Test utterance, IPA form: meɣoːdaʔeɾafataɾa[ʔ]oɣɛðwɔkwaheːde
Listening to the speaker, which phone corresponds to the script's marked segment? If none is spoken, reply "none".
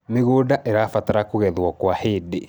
k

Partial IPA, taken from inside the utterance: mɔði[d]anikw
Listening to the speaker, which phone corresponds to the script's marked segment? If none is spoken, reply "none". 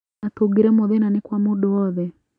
n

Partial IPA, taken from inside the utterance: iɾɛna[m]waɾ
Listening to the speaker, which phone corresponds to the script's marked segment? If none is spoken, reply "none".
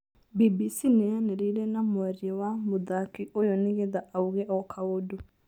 m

